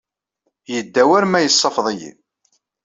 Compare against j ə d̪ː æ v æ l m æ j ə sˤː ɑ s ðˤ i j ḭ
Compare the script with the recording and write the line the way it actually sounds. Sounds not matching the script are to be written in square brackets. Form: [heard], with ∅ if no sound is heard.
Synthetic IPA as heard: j ə d̪ː æ [w] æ [ɾ] m æ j ə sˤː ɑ [f] ðˤ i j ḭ

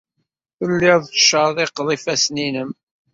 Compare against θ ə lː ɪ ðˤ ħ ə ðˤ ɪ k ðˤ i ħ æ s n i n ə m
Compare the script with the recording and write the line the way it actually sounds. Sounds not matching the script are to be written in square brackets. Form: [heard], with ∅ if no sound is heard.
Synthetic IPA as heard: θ ə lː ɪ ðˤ [ʃ] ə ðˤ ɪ [q] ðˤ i [f] æ s n i n ə m

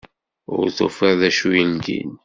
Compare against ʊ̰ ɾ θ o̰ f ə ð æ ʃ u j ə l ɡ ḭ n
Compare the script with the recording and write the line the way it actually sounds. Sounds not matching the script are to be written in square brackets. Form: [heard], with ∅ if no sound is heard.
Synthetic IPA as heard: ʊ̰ ɾ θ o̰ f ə ð æ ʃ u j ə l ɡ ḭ n

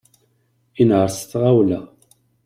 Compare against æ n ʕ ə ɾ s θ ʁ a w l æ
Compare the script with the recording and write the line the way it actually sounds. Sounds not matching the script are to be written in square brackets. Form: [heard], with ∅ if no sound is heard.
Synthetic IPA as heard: [i] n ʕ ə ɾ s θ ʁ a w l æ

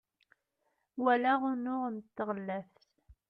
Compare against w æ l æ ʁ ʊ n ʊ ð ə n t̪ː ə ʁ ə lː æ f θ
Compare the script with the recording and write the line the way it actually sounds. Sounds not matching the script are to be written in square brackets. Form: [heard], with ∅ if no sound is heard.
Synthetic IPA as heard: w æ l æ ʁ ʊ n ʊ [ʁ] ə n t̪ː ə ʁ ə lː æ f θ

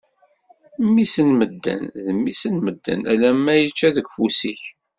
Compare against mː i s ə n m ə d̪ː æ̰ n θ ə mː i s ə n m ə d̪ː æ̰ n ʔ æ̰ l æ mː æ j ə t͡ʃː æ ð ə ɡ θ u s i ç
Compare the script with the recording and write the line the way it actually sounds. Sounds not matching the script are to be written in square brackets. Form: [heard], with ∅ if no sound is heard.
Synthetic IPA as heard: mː i s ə n m ə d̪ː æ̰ n [ð] ə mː i s ə n m ə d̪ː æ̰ n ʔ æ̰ l æ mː æ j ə t͡ʃː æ ð ə ɡ [f] u s i ç

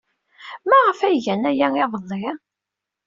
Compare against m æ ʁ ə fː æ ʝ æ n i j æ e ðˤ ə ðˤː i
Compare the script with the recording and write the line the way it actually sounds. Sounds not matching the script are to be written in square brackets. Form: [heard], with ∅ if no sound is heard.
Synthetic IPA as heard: m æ ʁ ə [f] æ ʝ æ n [æ] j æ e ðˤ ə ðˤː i

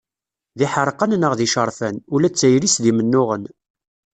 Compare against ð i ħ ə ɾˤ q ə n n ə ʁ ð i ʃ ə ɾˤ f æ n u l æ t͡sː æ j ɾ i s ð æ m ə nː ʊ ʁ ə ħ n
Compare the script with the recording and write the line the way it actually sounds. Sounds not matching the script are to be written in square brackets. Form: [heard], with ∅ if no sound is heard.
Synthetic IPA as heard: ð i ħ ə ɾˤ q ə n n ə ʁ ð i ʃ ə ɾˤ f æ n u l æ t͡sː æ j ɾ i s ð [i] m ə nː ʊ ʁ ə [∅] n

